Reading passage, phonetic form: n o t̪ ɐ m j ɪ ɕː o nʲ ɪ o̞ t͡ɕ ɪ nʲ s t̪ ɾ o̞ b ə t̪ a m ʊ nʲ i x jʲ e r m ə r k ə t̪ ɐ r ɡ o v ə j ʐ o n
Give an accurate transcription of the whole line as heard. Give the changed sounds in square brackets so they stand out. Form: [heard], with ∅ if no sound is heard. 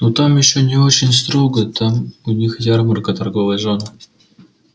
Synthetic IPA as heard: n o t̪ [a] m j ɪ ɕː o nʲ ɪ o̞ t͡ɕ ɪ nʲ s t̪ ɾ o̞ [ɡ] ə t̪ a m ʊ nʲ i x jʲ [a] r m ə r k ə t̪ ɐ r ɡ o v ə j ʐ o n